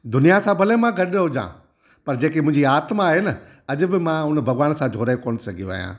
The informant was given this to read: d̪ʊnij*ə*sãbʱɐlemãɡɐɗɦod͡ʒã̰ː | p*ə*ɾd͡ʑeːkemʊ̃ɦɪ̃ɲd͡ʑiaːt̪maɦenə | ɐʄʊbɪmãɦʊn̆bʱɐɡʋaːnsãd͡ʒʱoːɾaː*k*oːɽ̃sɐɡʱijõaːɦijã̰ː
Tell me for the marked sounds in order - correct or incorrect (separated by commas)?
incorrect, incorrect, correct